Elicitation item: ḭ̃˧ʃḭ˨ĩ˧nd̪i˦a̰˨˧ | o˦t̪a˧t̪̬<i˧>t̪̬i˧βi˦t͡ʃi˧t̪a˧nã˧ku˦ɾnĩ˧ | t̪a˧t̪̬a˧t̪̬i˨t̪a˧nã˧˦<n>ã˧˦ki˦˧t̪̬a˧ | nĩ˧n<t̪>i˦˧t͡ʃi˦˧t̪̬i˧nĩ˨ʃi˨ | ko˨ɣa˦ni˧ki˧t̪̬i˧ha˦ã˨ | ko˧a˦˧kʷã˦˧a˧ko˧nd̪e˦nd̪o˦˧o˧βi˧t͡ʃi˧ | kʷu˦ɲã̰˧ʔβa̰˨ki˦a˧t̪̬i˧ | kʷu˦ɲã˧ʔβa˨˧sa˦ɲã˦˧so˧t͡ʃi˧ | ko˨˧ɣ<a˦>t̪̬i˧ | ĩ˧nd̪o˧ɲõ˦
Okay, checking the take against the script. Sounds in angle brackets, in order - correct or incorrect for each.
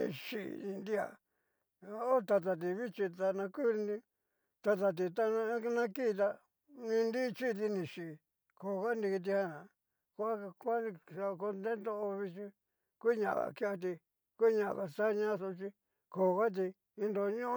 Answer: incorrect: a˧, correct, incorrect: d̪, correct

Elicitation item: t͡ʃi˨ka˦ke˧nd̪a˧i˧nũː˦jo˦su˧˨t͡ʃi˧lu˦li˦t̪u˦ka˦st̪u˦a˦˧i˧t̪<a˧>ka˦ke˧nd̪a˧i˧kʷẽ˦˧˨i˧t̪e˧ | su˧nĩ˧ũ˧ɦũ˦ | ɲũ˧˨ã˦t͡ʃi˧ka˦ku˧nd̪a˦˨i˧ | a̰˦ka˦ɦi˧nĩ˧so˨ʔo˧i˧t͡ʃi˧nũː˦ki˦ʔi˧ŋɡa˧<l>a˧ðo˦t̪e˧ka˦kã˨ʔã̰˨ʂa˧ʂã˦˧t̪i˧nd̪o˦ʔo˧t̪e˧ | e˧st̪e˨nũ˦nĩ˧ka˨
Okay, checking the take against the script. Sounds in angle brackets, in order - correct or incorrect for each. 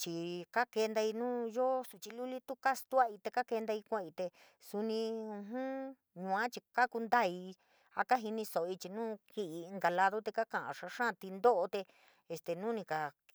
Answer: incorrect: e˧, correct

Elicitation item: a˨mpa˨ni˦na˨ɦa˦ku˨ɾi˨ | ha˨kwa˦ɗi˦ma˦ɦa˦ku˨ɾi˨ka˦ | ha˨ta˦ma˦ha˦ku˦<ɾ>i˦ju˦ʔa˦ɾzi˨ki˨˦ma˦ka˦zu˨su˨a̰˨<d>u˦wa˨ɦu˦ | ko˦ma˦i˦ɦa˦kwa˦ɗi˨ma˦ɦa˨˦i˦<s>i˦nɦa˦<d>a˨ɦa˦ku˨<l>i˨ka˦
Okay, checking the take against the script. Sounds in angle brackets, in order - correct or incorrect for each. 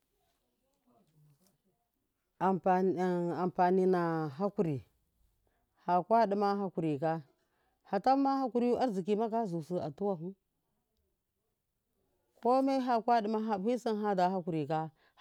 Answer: correct, incorrect: t, correct, correct, incorrect: ɾ

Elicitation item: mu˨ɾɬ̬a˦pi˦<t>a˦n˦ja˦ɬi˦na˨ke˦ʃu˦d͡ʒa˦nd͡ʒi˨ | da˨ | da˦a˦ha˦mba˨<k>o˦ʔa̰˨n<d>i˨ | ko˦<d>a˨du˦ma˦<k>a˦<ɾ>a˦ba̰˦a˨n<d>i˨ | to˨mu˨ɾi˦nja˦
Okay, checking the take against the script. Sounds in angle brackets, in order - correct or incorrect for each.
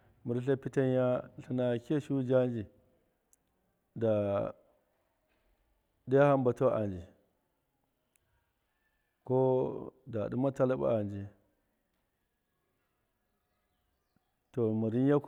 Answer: correct, incorrect: t, incorrect: d͡ʒ, correct, incorrect: t, incorrect: l, incorrect: d͡ʒ

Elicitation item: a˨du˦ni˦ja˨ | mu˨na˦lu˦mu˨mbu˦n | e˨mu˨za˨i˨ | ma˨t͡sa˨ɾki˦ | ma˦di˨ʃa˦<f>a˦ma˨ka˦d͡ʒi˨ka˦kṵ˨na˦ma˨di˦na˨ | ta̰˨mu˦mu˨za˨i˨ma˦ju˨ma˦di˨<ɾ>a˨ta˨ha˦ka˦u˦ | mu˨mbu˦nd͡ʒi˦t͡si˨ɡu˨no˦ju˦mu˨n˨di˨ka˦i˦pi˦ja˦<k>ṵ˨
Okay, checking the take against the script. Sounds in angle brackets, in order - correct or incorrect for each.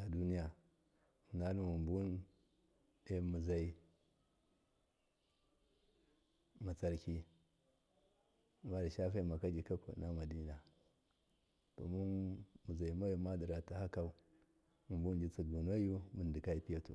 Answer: correct, correct, incorrect: t

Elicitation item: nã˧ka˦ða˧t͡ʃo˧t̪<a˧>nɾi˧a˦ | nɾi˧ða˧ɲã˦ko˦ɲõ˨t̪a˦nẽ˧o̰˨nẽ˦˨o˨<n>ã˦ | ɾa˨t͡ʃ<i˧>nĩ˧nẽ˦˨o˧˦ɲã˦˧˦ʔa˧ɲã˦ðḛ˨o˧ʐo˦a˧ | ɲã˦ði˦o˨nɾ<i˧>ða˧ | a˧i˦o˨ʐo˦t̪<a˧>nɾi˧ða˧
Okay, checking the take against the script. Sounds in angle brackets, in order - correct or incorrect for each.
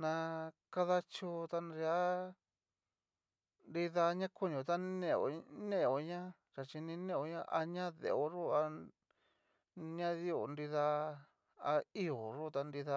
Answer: correct, incorrect: ɲ, correct, correct, correct

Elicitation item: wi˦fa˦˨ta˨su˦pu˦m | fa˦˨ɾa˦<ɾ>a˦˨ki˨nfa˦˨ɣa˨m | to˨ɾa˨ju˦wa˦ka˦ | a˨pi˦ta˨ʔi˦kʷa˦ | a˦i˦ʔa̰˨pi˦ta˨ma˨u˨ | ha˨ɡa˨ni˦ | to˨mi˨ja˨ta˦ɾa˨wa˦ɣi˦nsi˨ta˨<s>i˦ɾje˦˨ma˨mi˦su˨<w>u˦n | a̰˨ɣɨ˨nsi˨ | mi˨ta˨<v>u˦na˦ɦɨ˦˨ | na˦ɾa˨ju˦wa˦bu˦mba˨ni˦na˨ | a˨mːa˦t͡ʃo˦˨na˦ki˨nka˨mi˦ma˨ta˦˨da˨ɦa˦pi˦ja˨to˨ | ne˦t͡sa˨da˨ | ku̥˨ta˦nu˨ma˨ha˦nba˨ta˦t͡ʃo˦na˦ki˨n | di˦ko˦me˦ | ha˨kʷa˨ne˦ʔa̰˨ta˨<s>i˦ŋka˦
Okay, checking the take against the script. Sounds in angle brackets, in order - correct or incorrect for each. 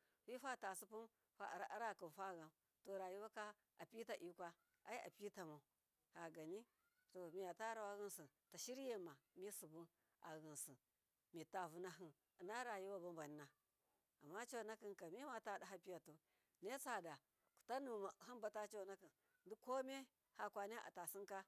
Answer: correct, incorrect: ʃ, incorrect: b, correct, correct

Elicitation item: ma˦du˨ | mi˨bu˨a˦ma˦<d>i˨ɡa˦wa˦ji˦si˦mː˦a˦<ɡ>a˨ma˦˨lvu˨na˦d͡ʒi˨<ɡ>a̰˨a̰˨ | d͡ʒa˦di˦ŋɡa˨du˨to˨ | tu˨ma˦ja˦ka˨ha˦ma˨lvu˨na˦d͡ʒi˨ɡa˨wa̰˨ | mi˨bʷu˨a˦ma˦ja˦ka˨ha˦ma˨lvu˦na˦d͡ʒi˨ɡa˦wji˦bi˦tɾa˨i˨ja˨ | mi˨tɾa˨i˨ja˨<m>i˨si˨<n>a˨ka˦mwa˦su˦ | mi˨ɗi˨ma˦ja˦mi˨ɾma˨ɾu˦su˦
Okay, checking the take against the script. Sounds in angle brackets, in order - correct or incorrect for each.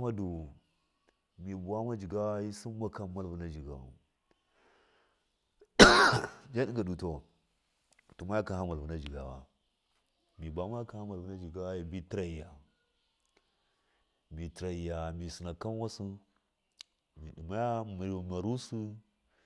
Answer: incorrect: d͡ʒ, incorrect: k, correct, correct, correct

